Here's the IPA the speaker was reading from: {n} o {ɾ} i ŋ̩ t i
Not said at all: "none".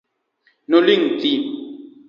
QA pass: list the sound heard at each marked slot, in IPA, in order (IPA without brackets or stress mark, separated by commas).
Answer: n, l